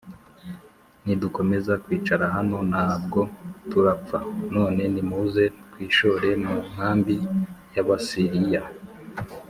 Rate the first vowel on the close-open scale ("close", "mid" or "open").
close